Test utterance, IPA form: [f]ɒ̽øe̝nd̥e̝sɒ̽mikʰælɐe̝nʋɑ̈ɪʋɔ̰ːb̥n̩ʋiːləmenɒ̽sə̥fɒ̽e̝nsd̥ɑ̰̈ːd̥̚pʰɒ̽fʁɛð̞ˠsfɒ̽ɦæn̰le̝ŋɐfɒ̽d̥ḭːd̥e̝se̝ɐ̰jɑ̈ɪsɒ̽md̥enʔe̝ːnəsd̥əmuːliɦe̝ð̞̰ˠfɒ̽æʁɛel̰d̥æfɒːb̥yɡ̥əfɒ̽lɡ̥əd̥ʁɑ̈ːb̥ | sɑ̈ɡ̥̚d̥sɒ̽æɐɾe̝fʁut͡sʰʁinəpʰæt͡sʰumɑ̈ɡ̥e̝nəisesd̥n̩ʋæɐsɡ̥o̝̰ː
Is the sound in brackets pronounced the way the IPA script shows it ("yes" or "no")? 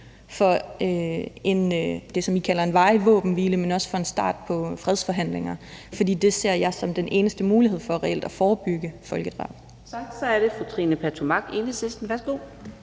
yes